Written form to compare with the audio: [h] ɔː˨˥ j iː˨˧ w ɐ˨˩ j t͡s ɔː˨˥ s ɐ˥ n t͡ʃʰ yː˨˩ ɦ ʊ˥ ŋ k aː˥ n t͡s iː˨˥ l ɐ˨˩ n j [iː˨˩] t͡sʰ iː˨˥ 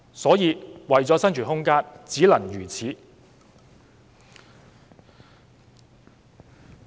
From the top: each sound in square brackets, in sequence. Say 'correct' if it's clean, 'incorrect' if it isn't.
incorrect: s, incorrect: yː˨˩

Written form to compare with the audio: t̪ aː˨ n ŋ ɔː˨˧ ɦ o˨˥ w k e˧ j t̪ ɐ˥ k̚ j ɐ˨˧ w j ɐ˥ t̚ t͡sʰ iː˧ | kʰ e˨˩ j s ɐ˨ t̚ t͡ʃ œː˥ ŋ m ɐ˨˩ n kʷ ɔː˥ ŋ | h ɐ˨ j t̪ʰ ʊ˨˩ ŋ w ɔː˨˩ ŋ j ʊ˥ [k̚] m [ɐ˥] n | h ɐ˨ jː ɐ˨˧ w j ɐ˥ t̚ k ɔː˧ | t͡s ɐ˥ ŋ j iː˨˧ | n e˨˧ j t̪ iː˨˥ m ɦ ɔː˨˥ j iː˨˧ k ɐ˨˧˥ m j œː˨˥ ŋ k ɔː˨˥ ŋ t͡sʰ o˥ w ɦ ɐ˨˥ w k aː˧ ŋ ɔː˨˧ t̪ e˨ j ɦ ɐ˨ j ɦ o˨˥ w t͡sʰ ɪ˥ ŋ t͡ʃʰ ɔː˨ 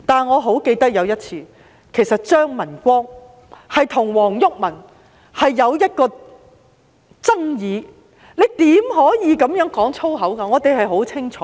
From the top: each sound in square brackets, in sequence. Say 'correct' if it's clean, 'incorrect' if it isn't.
correct, incorrect: ɐ˨˩

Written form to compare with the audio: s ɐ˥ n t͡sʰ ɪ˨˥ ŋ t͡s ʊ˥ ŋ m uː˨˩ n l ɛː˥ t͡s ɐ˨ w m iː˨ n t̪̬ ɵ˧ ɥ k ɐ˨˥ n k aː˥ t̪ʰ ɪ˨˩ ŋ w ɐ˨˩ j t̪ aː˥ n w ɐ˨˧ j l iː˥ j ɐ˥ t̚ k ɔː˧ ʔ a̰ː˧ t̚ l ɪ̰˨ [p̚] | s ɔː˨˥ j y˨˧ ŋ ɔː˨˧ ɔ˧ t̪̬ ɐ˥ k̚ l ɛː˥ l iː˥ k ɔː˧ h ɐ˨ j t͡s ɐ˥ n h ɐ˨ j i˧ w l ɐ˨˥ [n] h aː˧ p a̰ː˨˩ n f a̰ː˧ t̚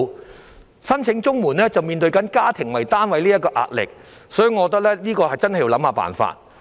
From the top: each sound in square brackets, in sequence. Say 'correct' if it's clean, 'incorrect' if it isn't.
incorrect: k̚, incorrect: m

